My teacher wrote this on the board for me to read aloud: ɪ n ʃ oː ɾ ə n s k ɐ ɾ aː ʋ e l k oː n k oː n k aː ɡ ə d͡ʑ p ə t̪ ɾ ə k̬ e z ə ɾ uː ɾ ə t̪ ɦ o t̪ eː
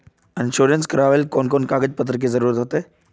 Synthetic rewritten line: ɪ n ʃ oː ɾ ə n s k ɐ ɾ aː ʋ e l k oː n k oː n k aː ɡ ə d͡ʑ p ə t̪ ɾ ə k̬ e z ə ɾ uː ɾ ə t̪ ɦ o t̪ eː

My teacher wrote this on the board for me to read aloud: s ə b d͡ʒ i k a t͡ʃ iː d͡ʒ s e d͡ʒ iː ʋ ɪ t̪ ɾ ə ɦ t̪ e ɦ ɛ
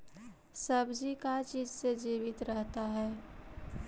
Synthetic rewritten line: s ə b d͡ʒ i k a t͡ʃ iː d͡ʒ s e d͡ʒ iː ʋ ɪ t̪ ɾ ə ɦ t̪ a ɦ ɛː

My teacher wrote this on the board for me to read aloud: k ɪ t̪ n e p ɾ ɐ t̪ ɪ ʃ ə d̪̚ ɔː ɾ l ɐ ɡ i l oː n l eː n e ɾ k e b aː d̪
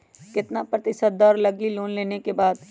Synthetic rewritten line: k ɪ t̪ n a p ɾ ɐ t̪ ɪ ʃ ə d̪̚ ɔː ɾ l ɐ ɡ i l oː n l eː n e k e b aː d̪

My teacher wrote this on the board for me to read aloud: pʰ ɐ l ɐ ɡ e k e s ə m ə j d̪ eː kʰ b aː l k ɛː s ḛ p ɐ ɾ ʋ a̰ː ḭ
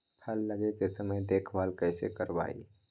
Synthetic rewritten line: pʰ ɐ lː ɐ ɡ e k e s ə m ə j d̪ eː kʰ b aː l k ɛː s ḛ k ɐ ɾ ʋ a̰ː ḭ

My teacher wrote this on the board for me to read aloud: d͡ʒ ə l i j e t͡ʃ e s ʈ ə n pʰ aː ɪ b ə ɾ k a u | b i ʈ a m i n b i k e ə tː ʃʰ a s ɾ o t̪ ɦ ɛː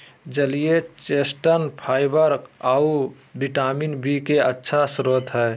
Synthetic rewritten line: d͡ʒ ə l i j e t͡ʃ e s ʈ ə n pʰ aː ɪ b ə ɾ k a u | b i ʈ a m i n b i k e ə tː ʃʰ a s ɾ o t̪ ɦ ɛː

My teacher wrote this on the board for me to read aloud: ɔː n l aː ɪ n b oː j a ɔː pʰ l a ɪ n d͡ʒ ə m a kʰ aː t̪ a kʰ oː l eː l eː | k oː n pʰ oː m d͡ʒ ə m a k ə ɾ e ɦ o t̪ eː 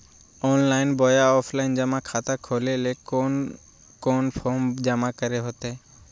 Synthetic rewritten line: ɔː n l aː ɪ n b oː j a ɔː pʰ l a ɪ n d͡ʒ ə m a kʰ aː t̪ a kʰ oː l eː l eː | k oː n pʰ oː m d͡ʒ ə m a k ə ɾ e ɦ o t̪ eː

